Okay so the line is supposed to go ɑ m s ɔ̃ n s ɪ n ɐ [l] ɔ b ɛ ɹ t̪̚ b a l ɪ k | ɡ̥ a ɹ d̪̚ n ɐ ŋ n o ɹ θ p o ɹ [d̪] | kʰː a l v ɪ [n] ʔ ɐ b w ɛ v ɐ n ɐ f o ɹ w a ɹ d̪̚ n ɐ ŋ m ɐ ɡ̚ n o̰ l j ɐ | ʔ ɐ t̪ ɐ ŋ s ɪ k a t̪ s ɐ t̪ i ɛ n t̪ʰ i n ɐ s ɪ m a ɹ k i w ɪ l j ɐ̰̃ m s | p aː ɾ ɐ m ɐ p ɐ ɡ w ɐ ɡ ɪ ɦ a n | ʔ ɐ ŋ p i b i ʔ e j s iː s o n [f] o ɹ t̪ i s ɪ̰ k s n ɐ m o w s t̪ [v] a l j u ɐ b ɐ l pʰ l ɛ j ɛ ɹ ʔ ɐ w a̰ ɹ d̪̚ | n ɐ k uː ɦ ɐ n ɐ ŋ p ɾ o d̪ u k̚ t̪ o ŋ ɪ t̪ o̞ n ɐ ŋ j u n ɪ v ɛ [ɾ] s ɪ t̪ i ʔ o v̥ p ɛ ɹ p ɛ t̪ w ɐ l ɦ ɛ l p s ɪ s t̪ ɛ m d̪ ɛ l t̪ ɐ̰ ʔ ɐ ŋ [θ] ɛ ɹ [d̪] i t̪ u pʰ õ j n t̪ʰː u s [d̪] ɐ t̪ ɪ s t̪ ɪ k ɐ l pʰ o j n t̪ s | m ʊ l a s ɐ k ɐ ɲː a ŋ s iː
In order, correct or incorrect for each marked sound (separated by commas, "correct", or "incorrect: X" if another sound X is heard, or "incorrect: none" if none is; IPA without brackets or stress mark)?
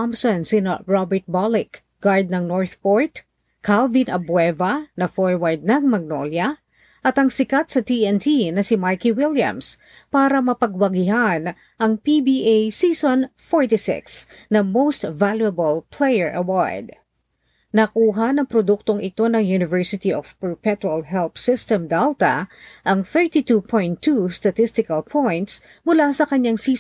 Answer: incorrect: ɹ, incorrect: t̪, correct, correct, correct, incorrect: ɹ, correct, incorrect: t̪, incorrect: t̪